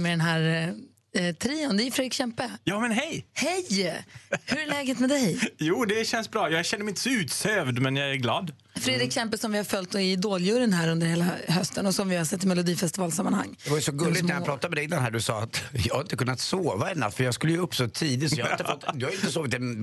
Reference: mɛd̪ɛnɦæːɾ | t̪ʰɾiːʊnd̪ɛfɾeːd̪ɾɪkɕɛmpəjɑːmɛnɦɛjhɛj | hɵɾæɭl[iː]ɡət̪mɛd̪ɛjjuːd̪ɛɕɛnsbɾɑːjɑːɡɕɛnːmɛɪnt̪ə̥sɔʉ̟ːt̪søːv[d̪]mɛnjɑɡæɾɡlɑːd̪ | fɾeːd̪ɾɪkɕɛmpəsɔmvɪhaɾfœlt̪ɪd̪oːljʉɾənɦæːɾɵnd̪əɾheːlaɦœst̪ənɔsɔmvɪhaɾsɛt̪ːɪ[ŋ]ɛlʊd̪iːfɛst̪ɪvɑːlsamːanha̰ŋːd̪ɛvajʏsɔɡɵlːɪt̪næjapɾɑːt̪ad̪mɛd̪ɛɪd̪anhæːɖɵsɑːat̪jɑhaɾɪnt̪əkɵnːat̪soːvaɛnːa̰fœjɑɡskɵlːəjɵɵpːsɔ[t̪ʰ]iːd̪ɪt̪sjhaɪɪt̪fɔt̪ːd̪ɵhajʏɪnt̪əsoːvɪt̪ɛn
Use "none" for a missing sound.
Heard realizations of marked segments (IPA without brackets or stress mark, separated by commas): ɛː, d̪, m, t̪ʰ